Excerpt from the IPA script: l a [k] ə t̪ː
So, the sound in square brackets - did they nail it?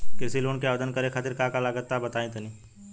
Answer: no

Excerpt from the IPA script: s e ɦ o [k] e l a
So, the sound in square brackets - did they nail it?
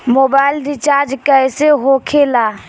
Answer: no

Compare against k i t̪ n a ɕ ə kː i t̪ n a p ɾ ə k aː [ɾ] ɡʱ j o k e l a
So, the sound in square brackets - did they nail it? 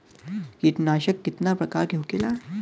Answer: yes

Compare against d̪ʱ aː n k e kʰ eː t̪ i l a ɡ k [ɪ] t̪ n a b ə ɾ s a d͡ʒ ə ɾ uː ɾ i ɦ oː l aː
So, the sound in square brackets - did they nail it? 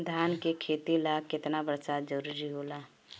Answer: yes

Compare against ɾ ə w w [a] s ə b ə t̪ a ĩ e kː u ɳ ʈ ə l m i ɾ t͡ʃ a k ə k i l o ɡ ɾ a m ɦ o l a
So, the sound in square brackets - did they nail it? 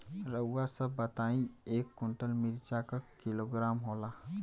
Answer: yes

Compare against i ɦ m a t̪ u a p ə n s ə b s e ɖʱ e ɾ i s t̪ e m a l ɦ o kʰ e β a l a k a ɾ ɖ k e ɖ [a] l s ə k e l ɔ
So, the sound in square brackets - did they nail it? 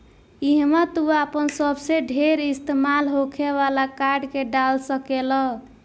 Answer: yes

